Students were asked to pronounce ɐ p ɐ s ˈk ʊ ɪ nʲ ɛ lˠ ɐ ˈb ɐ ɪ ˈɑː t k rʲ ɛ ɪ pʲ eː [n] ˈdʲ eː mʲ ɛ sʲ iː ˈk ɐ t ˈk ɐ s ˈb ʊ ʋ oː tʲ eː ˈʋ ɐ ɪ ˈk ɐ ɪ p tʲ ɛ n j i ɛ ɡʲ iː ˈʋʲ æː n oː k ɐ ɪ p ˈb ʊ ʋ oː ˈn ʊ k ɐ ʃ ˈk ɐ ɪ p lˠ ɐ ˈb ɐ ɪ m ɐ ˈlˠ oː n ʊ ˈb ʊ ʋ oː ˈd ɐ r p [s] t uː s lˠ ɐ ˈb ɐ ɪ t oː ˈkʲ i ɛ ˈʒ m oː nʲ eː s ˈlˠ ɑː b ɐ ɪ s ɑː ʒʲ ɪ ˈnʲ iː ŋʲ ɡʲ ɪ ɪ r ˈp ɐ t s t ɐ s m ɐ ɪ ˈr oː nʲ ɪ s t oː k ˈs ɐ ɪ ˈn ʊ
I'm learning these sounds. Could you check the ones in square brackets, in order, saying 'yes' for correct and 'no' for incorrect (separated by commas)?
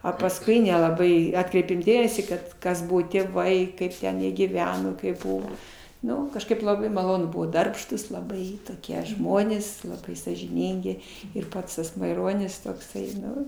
no, no